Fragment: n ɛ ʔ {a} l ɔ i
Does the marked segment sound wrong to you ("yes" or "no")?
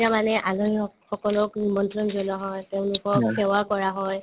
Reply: no